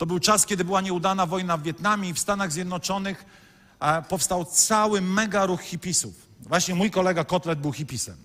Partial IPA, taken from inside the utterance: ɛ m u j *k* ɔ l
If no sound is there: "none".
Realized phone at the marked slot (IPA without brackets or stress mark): k